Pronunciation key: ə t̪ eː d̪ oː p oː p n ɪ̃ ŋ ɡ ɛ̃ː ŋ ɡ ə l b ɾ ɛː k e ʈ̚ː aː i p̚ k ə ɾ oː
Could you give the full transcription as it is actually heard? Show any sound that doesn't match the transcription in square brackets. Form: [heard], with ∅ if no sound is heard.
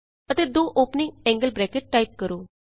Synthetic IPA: ə t̪ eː d̪ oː [ʔ] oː p n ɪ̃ ŋ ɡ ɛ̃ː ŋ ɡ ə l b ɾ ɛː k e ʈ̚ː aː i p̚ k ə ɾ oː